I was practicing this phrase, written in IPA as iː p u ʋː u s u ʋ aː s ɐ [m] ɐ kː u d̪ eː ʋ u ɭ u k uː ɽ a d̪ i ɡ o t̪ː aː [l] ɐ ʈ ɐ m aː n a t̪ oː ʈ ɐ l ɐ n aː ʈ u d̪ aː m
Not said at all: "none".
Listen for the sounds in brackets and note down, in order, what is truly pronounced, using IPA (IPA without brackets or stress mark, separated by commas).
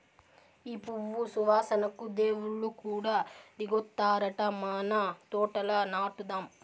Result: n, ɾ